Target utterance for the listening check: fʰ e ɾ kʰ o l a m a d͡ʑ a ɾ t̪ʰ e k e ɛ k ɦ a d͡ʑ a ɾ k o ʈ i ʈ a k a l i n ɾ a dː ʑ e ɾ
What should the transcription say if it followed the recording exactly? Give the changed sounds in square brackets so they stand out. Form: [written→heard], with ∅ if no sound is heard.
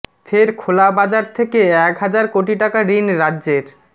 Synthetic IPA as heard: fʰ e ɾ kʰ o l a [m→b] a d͡ʑ a ɾ t̪ʰ e k e ɛ k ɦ a d͡ʑ a ɾ k o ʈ i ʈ a k a [l→ɾ] i n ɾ a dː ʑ e ɾ